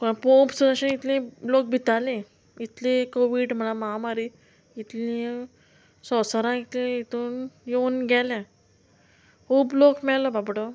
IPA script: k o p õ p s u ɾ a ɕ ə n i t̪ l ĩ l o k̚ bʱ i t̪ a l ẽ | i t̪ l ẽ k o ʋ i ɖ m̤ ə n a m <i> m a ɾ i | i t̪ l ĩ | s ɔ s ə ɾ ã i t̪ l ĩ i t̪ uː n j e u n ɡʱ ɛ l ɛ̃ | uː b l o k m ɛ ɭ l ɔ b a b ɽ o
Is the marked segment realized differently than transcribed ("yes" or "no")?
yes